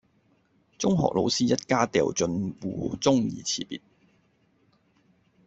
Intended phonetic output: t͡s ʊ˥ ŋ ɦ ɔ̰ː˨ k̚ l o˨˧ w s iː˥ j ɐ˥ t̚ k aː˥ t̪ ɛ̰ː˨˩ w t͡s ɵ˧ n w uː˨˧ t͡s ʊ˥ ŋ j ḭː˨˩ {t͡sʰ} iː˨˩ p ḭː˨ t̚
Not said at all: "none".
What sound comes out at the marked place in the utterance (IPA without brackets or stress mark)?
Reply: t͡sʰ